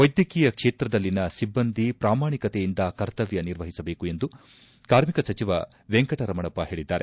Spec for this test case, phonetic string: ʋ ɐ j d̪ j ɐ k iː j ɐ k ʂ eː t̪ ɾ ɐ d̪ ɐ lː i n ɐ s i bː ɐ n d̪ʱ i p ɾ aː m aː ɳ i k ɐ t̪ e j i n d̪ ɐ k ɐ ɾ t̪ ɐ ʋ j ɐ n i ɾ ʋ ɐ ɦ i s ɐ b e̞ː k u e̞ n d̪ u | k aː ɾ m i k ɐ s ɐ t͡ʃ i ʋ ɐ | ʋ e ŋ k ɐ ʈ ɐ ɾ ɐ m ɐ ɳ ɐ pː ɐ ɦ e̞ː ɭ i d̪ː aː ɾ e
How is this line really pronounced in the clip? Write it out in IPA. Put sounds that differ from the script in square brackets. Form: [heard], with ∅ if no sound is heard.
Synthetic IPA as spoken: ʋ ɐ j d̪ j ɐ k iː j ɐ k ʂ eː t̪ ɾ ɐ d̪ ɐ lː i n ɐ s i bː ɐ n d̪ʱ i p ɾ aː m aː ɳ i k ɐ t̪ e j i n d̪ ɐ k ɐ ɾ t̪ ɐ ʋ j ɐ n i ɾ ʋ ɐ ɦ i s ɐ b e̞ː k u e̞ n d̪ u | k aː ɾ m i k ɐ s ɐ t͡ʃ i ʋ ɐ | ʋ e ŋ k ɐ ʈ ɐ ɾ ɐ m ɐ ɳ ɐ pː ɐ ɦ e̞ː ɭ i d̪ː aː ɾ e